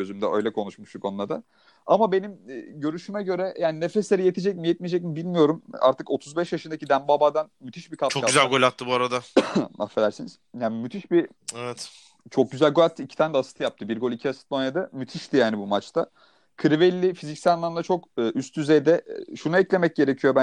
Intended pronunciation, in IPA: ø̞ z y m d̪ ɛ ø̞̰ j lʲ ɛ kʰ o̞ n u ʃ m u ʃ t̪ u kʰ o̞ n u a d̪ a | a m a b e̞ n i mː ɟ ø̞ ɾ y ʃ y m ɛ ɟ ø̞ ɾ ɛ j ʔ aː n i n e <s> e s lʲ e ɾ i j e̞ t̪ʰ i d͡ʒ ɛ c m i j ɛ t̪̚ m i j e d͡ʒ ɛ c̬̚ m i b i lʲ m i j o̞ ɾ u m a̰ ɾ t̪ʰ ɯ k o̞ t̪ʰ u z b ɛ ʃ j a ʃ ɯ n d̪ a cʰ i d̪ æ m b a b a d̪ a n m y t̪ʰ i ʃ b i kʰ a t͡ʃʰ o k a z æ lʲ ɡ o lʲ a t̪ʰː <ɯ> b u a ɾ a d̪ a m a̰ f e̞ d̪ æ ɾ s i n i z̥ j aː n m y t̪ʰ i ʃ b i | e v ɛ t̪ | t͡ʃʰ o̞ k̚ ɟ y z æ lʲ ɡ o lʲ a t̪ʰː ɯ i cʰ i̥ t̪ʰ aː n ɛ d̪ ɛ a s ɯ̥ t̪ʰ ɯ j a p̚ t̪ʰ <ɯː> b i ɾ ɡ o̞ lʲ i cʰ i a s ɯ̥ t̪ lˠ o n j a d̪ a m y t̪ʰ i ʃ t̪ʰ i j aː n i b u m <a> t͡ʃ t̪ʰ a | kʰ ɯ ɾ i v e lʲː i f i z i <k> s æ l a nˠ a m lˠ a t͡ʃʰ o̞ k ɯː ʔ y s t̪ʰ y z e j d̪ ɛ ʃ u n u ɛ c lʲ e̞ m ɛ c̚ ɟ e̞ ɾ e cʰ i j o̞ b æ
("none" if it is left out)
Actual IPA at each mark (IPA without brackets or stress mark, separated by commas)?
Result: f, ɯ, ɯ, a, c